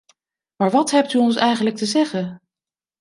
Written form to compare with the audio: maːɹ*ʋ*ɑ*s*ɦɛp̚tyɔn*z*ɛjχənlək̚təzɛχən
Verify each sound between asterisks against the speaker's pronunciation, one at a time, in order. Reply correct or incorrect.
correct, incorrect, incorrect

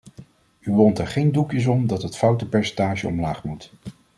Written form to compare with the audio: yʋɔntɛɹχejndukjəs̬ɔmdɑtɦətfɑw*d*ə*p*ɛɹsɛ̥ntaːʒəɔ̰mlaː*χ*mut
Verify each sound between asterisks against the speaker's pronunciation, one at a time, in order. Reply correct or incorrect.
incorrect, correct, correct

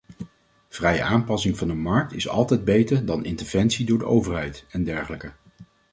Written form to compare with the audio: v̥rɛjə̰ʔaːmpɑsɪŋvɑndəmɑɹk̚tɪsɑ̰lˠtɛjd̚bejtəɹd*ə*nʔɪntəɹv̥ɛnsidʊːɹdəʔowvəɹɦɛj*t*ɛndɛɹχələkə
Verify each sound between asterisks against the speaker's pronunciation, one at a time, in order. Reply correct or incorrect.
incorrect, correct

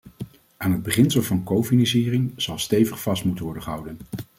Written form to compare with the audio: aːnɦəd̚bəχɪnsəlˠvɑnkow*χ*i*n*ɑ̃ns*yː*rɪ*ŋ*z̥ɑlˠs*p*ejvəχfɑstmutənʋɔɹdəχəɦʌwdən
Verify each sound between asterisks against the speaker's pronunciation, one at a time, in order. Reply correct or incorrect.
incorrect, correct, incorrect, correct, incorrect

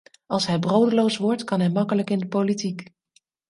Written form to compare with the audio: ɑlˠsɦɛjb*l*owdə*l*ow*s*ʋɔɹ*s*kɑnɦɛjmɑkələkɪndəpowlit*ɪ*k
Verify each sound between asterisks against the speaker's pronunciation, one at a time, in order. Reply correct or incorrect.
incorrect, correct, correct, incorrect, incorrect

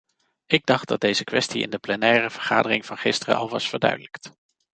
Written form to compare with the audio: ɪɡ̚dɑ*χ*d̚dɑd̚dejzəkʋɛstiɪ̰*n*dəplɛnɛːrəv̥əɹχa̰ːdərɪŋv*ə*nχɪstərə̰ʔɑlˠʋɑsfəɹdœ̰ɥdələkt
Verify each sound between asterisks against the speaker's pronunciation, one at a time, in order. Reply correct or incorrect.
correct, correct, incorrect

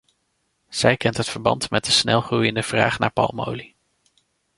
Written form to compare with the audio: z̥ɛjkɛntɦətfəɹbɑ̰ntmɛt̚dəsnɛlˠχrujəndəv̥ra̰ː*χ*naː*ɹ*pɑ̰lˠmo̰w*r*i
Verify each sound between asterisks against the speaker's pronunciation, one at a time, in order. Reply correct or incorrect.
correct, correct, incorrect

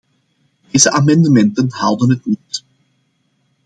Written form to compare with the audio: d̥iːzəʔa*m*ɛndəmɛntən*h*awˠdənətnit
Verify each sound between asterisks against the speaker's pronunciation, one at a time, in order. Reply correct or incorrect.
correct, correct

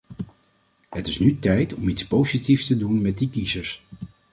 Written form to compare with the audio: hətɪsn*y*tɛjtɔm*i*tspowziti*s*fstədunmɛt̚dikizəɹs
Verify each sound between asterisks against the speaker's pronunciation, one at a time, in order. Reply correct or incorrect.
correct, correct, incorrect

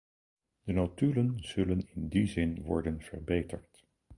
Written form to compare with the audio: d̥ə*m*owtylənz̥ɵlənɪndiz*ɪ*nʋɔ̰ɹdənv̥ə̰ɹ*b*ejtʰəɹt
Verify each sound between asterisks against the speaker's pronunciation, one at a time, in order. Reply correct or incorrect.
incorrect, correct, correct

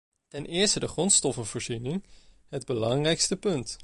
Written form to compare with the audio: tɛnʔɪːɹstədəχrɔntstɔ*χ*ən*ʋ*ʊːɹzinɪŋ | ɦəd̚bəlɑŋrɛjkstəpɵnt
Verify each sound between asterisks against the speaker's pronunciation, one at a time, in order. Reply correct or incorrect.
incorrect, incorrect

